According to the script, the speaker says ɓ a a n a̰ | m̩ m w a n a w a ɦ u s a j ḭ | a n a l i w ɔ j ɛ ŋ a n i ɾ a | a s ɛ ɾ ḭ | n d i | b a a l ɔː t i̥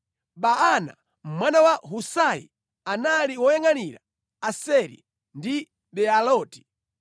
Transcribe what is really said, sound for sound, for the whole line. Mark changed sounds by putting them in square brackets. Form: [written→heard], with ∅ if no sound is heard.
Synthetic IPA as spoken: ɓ a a n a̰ | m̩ m w a n a w a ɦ u s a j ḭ | a n a l i w ɔ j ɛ ŋ a n i ɾ a | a s ɛ ɾ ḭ | n d i | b [a→ɛ] a l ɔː t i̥